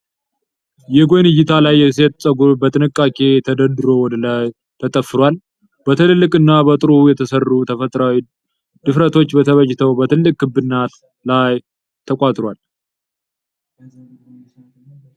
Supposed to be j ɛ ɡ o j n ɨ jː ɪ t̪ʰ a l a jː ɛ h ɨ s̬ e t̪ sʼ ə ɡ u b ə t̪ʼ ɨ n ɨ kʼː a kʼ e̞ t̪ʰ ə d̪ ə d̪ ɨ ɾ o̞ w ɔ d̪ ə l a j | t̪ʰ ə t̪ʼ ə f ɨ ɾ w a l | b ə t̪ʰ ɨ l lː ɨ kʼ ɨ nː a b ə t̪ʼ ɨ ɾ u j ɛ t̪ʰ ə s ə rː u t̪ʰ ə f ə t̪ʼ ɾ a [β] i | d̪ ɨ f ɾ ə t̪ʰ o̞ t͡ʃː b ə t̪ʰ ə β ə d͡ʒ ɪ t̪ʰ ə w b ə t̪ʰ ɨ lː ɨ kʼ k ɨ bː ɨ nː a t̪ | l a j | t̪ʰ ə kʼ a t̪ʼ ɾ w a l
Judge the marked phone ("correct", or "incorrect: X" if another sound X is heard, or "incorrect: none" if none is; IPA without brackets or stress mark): incorrect: w